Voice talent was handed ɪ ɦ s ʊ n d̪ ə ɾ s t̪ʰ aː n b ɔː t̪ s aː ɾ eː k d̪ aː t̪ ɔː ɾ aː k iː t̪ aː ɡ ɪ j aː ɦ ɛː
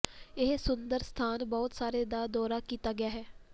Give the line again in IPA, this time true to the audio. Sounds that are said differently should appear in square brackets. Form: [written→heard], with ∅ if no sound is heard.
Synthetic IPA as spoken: ɪ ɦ s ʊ n d̪ ə ɾ s t̪ʰ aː n b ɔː t̪ s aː ɾ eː [k→∅] d̪ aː [t̪→d̪] ɔː ɾ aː k iː t̪ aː ɡ ɪ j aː ɦ ɛː